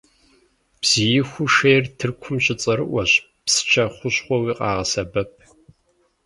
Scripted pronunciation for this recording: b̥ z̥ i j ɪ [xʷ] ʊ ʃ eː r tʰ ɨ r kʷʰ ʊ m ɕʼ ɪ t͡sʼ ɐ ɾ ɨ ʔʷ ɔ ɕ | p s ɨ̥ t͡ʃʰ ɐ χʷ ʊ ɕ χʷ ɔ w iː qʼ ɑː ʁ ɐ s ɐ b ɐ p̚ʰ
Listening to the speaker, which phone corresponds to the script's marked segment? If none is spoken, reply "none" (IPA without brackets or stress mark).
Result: xʷ